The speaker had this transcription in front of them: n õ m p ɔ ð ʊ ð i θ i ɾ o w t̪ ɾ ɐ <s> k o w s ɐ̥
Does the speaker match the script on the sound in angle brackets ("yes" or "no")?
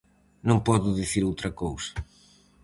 no